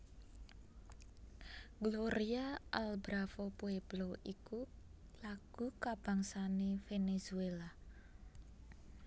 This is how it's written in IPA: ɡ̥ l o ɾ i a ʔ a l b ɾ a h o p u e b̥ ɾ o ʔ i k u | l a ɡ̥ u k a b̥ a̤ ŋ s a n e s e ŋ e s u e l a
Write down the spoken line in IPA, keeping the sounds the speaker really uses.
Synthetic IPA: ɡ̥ l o ɾ i a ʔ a l b ɾ a f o p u e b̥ l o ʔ i k u | l a ɡ̥ u k a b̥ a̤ ŋ s a n e f e n e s u e l a